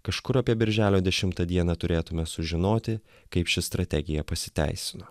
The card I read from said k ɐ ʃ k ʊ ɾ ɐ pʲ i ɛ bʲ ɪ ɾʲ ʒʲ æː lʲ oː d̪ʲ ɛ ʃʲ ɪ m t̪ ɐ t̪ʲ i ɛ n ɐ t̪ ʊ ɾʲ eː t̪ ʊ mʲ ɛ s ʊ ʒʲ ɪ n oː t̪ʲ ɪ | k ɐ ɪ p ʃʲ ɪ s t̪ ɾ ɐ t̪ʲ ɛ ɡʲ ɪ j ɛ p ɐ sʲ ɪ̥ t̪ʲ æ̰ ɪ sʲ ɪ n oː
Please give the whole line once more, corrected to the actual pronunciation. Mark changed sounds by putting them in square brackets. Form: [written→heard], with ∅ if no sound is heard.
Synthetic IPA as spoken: k ɐ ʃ k ʊ ɾ ɐ pʲ i ɛ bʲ ɪ ɾʲ ʒʲ æː lʲ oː d̪ʲ ɛ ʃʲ ɪ m t̪ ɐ [t̪ʲ→d̪ʲ] i ɛ n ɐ t̪ ʊ ɾʲ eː t̪ ʊ mʲ ɛ s ʊ ʒʲ ɪ n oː t̪ʲ ɪ | k ɐ ɪ p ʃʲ ɪ s t̪ ɾ ɐ t̪ʲ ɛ ɡʲ ɪ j ɛ p ɐ sʲ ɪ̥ t̪ʲ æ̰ ɪ sʲ ɪ n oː